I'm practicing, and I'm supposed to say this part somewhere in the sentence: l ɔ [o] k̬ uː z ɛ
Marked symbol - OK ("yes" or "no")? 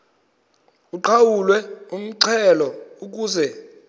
no